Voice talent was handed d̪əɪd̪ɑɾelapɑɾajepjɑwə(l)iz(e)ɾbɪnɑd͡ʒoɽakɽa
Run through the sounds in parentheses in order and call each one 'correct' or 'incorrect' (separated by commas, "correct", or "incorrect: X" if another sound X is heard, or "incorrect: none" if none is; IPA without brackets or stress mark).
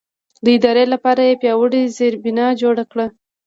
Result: incorrect: ɽ, correct